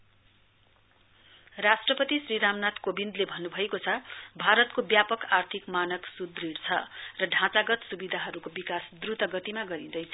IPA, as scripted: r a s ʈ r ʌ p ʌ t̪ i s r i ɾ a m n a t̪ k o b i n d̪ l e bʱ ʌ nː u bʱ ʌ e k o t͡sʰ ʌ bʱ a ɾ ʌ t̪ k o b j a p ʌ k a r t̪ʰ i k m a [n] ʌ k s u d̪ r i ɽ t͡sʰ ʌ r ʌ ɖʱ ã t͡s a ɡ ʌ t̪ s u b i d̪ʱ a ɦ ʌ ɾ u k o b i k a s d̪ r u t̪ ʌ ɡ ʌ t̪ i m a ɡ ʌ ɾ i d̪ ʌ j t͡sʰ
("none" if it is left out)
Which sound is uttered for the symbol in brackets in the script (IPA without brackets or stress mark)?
n